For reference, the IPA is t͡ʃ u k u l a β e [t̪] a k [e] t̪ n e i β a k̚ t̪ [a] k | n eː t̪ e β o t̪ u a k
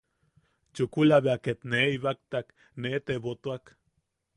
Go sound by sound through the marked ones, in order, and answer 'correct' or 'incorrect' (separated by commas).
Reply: incorrect, correct, correct